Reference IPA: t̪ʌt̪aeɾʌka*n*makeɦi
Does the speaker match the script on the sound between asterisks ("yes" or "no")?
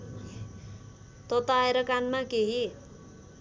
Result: yes